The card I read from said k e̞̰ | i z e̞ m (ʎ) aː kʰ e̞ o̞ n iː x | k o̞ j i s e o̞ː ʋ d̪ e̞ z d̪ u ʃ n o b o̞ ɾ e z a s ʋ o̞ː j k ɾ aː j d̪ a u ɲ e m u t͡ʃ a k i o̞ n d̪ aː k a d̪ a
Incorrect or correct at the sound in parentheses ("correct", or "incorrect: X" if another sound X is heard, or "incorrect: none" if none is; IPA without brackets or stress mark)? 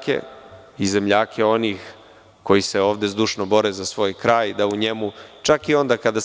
correct